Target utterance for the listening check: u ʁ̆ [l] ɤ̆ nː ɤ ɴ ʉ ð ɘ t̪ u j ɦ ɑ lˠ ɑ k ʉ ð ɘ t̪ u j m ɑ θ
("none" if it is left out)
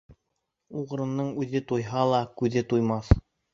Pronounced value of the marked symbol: ɾ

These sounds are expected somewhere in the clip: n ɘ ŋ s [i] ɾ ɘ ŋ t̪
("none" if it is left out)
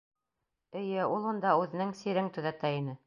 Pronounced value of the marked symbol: i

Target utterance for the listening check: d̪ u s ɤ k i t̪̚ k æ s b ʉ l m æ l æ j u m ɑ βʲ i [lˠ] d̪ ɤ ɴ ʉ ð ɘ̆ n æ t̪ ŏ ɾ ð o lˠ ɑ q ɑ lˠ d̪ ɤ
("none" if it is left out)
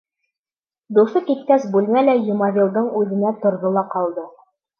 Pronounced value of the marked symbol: lˠ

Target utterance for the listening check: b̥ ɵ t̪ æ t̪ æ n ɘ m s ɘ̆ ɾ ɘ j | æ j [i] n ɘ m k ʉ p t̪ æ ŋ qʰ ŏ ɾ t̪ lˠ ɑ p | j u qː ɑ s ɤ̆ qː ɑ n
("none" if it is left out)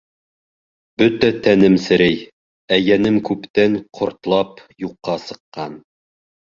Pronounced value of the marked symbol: æ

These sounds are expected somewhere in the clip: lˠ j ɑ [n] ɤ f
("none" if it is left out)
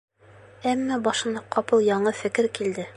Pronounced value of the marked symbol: ɴ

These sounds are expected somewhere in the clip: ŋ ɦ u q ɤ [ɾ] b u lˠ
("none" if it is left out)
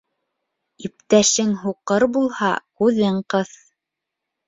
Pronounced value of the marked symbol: ɾ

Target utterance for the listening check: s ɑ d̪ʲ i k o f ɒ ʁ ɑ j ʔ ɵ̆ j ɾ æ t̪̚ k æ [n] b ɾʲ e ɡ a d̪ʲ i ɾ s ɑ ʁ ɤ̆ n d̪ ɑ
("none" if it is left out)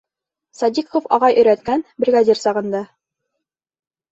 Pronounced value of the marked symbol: n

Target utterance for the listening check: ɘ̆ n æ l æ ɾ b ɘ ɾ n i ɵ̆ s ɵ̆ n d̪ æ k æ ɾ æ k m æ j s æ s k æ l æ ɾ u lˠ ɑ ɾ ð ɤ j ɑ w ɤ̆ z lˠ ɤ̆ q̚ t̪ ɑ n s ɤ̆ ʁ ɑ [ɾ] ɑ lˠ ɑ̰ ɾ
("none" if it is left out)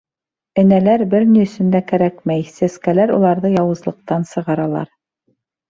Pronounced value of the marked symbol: ɾ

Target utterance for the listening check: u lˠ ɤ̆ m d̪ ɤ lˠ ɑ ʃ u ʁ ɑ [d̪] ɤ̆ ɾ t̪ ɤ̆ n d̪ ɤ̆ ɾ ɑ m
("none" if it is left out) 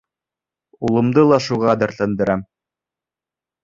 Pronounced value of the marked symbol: d̪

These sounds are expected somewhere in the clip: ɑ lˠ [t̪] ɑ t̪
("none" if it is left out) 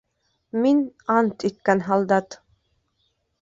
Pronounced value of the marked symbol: d̪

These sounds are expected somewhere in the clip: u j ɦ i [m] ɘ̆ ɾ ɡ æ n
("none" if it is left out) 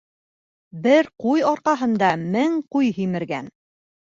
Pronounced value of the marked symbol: m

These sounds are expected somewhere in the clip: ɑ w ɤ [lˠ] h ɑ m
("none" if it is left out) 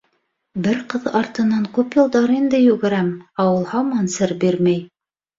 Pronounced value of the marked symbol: lˠ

